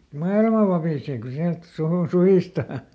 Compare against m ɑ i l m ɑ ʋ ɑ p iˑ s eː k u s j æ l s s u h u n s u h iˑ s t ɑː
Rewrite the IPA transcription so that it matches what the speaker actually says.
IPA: m ɑ i l m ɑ ʋ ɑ p iˑ s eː k u s i æ l t s u h u n s u h iˑ s t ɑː